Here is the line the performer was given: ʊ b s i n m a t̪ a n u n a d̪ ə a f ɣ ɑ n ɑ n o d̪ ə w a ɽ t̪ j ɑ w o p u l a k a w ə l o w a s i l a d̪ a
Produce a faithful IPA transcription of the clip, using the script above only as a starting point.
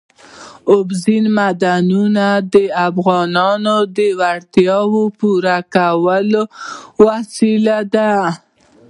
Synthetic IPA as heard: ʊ b z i n m a d̪ a n u n a d̪ ə a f ɣ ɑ n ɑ n o d̪ ə w a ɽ t̪ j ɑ w o p u ɾ a k a w ə l o w a s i l a d̪ a